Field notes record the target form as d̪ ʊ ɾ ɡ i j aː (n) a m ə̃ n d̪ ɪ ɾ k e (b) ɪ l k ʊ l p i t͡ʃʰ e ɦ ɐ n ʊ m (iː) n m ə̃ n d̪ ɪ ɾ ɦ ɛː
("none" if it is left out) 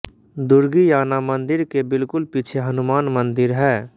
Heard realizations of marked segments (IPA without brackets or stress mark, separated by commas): n, b, aː